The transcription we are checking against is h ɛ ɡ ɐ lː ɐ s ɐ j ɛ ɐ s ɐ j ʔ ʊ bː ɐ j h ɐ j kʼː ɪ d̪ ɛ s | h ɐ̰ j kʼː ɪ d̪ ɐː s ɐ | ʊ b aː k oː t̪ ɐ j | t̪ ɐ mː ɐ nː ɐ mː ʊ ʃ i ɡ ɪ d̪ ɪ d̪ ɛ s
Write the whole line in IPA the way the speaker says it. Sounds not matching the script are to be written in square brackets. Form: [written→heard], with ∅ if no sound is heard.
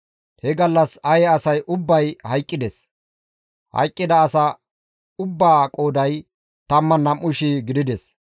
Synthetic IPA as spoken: h ɛ ɡ ɐ lː ɐ s ɐ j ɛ ɐ s ɐ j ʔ ʊ bː ɐ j h ɐ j kʼː ɪ d̪ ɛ s | h ɐ̰ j kʼː ɪ d̪ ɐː s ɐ | ʊ [b→bː] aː [k→kʼ] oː [t̪→d̪] ɐ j | t̪ ɐ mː ɐ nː ɐ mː ʊ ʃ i ɡ ɪ d̪ ɪ d̪ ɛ s